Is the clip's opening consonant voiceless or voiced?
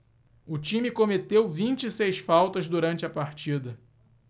voiceless